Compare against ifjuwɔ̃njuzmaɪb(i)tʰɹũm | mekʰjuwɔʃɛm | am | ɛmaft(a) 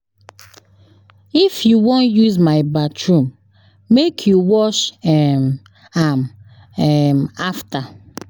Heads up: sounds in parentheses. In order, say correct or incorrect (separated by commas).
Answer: incorrect, correct